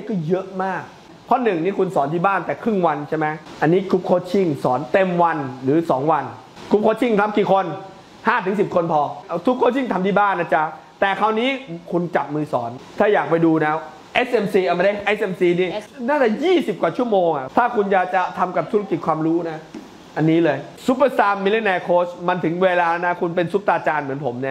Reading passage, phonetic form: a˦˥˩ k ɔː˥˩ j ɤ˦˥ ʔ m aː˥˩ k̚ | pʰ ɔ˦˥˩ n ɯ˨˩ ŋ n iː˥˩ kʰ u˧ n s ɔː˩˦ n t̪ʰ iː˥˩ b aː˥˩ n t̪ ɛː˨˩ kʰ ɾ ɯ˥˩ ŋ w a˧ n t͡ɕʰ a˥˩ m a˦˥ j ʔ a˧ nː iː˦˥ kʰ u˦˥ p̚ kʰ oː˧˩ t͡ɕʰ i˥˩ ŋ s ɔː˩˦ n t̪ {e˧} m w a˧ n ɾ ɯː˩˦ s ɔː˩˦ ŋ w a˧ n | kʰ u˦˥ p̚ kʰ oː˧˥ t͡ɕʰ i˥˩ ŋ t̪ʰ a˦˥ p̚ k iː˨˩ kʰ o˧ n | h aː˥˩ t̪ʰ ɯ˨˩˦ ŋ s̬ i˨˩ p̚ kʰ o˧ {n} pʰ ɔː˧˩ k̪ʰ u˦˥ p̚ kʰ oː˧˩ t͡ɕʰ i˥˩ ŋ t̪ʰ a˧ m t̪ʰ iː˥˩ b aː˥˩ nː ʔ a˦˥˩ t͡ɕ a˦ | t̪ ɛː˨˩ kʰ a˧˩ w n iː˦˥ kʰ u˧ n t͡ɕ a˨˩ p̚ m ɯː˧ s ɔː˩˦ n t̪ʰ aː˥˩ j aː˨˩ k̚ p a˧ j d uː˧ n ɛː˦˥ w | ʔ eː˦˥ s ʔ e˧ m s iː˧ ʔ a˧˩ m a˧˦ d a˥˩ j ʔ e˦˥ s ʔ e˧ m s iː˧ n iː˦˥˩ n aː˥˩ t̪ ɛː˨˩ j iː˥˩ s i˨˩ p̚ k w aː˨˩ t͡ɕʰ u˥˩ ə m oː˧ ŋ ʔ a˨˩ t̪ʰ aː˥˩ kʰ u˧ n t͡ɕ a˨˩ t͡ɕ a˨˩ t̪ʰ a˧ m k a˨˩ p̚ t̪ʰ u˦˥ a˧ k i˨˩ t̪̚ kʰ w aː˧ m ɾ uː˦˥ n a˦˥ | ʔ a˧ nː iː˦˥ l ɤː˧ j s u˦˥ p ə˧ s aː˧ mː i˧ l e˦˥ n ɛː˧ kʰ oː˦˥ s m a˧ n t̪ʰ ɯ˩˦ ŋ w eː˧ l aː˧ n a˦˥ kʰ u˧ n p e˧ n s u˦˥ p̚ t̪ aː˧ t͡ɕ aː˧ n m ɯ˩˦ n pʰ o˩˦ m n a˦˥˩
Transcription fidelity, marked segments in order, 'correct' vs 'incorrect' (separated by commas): correct, correct